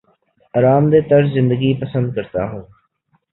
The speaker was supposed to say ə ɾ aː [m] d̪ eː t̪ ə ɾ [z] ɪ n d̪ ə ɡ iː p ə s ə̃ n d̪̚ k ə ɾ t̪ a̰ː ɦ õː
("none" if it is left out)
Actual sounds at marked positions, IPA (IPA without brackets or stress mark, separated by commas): m, z